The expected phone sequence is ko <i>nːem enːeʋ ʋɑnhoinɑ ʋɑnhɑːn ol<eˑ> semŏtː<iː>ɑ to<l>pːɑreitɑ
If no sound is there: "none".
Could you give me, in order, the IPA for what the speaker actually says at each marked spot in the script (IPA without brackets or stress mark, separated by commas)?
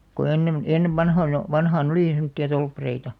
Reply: e, iˑ, i, l